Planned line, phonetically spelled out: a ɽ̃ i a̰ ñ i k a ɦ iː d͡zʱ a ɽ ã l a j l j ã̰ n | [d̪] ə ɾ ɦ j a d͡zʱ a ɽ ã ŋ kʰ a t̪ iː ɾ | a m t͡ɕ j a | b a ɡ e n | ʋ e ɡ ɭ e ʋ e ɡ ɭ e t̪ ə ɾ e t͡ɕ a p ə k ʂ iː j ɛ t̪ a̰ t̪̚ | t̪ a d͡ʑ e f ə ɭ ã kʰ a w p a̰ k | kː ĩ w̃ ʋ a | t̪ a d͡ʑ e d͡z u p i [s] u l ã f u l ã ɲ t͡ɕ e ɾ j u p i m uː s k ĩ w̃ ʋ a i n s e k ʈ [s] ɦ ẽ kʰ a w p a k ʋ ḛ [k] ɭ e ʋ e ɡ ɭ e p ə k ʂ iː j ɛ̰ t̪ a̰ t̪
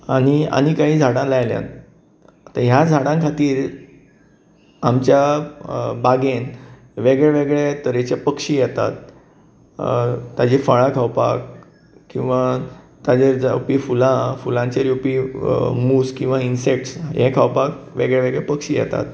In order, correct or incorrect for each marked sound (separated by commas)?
incorrect, incorrect, correct, incorrect